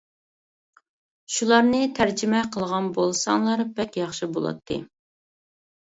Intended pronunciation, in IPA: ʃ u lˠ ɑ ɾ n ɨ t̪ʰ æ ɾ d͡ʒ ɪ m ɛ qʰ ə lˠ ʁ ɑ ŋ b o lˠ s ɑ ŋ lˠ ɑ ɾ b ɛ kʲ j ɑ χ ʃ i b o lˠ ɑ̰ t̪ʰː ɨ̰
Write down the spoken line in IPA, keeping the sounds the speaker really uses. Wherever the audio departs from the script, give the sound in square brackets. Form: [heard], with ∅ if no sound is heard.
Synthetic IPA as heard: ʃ u lˠ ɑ ɾ n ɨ t̪ʰ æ ɾ d͡ʒ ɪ m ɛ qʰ ə lˠ ʁ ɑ [n] b o lˠ s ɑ ŋ lˠ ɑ ɾ b ɛ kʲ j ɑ χ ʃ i b o lˠ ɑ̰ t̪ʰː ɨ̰